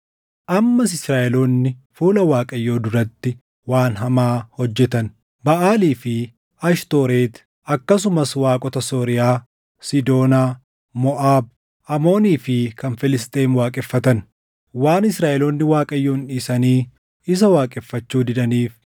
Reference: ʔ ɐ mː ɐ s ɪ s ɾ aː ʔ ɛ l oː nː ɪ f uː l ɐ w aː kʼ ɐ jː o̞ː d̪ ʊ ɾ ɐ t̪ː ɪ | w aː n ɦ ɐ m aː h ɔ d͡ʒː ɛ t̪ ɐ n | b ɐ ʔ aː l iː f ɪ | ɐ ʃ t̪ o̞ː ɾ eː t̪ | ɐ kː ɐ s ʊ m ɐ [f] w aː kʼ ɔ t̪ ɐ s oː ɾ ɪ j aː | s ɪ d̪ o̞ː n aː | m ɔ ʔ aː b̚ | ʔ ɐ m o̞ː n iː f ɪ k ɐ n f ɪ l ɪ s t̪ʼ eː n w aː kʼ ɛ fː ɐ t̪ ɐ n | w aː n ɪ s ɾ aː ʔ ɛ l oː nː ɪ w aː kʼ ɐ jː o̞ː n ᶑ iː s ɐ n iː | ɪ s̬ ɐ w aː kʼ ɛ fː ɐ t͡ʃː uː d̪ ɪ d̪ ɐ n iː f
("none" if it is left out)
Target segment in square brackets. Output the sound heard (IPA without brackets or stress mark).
s